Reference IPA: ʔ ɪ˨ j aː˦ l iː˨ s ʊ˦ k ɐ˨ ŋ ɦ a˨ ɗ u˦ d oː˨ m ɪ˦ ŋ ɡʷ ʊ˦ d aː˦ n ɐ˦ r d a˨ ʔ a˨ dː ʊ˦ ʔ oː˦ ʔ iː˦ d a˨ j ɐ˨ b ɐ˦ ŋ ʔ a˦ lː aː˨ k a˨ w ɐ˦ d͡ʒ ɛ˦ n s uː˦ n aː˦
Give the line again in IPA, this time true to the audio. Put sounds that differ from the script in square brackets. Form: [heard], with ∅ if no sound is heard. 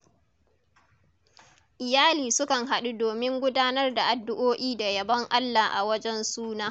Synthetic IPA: ʔ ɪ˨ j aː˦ l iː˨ s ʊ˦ k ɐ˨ ŋ ɦ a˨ ɗ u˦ d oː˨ m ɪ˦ ŋ ɡʷ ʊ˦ d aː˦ n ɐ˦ r d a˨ ʔ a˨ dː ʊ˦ ʔ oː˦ ʔ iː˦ d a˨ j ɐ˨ b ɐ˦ ŋ ʔ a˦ lː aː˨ [ʔ] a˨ w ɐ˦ d͡ʒ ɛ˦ n s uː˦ n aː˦